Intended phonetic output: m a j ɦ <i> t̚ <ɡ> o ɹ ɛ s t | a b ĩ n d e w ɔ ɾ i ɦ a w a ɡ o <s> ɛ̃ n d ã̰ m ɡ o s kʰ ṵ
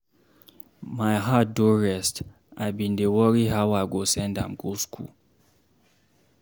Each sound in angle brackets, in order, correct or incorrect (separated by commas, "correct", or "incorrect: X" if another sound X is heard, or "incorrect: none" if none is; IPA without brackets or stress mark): incorrect: a, incorrect: d, correct